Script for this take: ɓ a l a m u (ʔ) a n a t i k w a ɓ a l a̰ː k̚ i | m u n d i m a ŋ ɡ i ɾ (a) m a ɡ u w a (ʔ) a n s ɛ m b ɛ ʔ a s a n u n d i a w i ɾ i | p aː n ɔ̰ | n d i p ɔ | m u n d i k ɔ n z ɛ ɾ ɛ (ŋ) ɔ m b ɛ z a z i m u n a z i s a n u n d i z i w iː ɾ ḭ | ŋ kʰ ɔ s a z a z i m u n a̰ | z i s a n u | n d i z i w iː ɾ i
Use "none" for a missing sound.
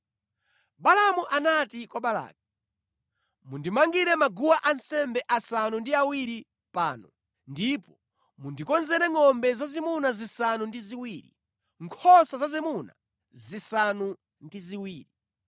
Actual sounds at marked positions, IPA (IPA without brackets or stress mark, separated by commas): ʔ, ɛ, ʔ, ŋ